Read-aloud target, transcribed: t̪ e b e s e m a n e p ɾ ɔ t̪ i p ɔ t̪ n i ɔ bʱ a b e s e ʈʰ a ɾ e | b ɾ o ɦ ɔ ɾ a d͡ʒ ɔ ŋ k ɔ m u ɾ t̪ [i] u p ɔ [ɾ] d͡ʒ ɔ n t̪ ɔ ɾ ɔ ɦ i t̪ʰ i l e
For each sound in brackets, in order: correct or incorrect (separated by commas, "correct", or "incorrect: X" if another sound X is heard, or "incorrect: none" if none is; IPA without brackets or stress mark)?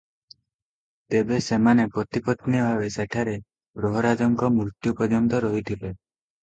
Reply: incorrect: j, incorrect: none